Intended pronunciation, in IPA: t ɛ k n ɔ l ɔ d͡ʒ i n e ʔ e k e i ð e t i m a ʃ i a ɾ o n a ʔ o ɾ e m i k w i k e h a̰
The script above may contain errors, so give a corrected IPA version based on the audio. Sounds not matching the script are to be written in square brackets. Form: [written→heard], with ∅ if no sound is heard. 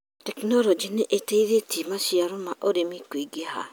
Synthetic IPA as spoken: t ɛ k n ɔ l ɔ d͡ʒ i n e ʔ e [k→t] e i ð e t i m a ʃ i a ɾ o [n→m] a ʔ o ɾ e m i k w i [k→ɡ] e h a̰